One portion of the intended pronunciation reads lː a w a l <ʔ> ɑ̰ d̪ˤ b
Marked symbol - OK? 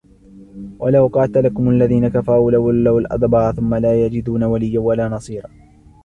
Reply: yes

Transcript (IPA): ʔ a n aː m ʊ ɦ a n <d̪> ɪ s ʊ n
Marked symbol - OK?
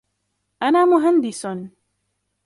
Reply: yes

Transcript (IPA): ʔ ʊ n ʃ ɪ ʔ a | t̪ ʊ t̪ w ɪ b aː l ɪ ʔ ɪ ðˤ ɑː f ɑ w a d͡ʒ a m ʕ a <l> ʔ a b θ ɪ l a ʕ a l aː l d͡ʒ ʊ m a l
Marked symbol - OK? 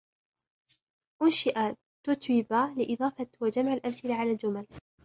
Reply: yes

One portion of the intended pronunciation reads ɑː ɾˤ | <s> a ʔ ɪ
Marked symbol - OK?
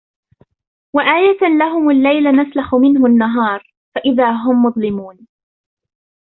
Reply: no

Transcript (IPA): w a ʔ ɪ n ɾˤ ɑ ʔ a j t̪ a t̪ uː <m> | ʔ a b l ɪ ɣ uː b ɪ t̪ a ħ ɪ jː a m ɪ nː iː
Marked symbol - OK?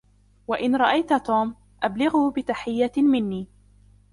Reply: yes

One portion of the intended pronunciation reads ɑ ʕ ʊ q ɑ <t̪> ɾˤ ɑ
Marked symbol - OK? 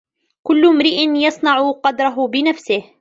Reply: no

